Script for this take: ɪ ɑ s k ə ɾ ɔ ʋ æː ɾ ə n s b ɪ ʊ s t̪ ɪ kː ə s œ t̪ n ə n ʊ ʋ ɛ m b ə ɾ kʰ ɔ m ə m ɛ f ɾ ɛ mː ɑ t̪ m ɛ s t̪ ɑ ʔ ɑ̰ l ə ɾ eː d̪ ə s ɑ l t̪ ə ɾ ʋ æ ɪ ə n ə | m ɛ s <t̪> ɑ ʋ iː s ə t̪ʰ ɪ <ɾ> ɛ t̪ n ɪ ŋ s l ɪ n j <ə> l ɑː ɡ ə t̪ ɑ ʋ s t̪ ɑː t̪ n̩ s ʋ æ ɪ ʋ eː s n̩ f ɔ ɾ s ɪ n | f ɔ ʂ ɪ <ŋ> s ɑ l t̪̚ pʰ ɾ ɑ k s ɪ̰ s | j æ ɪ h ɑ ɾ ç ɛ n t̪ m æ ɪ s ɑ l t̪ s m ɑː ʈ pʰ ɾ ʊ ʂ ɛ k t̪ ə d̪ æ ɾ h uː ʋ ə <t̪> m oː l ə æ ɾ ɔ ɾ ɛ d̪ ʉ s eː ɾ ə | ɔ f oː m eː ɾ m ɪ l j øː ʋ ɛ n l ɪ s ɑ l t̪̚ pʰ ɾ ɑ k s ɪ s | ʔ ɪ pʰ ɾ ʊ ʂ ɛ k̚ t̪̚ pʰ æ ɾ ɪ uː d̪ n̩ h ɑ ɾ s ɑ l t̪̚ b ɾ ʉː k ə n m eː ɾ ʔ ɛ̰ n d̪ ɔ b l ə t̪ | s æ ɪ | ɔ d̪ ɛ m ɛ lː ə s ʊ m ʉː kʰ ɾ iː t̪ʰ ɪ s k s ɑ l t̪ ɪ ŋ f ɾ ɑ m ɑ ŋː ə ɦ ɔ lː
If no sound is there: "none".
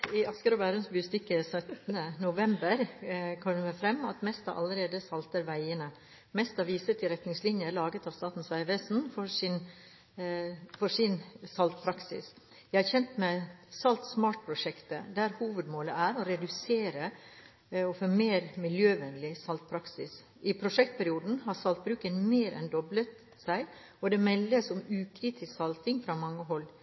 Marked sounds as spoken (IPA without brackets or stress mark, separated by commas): t̪, ɾ, ə, n, d̪